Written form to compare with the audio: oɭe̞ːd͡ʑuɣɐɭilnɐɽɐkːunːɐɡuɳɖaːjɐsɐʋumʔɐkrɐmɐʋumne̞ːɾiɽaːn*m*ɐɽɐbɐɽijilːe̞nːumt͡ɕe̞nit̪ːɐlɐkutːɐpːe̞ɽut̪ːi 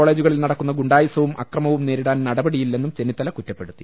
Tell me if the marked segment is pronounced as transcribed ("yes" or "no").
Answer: no